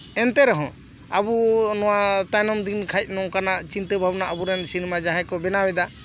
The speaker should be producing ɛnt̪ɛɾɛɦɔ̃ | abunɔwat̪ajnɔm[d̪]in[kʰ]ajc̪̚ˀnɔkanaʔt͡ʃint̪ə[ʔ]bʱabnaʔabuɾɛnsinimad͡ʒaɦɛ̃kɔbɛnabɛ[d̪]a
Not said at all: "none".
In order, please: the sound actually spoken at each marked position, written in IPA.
d̪, kʰ, none, d̪

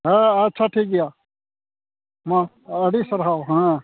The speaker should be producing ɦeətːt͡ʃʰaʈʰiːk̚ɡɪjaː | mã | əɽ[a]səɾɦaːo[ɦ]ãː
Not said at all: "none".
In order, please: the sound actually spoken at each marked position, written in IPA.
i, ɦ

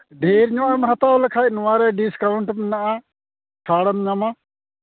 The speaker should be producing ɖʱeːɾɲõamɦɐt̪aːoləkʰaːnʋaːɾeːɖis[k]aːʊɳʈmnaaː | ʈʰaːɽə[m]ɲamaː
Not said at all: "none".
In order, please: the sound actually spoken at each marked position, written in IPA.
k, m

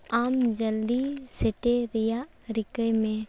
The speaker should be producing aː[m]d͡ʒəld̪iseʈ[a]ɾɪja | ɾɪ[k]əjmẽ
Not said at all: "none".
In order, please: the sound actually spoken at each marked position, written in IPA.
m, e, k

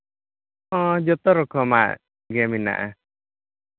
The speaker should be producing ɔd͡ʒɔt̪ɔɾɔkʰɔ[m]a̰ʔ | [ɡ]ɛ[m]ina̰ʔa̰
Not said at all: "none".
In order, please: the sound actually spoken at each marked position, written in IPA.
m, ɡ, m

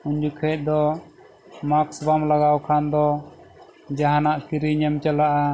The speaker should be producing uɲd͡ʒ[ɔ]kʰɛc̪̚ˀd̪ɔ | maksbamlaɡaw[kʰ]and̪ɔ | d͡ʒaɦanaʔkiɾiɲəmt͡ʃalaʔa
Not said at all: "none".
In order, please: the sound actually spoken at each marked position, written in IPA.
u, kʰ

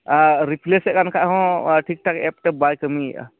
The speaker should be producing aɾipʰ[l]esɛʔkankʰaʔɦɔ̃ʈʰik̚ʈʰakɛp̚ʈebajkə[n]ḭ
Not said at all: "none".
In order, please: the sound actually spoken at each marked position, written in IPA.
l, m

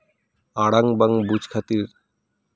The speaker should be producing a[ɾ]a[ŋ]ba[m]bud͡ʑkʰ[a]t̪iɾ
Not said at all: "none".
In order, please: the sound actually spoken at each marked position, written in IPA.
ɽ, ŋ, ŋ, a

